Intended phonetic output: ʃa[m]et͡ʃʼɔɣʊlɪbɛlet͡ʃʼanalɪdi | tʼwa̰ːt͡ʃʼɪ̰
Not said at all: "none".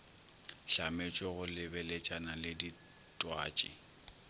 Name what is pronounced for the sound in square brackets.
m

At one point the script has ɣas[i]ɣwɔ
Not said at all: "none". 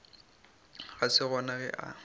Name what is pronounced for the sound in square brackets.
ɪ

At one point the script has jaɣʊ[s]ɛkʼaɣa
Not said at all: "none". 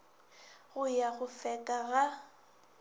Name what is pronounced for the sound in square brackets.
f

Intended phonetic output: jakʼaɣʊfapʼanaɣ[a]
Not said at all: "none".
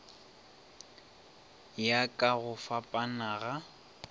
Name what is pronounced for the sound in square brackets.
a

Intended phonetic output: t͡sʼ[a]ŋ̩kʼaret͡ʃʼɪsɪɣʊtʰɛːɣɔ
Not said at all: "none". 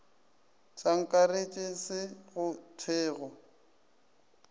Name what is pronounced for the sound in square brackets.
a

